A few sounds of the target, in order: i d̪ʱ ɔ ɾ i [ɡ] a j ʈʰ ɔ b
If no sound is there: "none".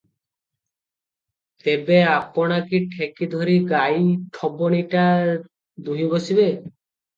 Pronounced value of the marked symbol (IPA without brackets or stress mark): ɡ